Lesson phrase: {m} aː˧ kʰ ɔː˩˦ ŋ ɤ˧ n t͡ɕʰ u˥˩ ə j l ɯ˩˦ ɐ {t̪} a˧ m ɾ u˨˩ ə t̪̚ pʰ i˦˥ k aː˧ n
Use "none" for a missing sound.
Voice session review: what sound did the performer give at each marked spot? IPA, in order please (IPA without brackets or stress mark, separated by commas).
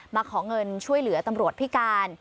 m, t̪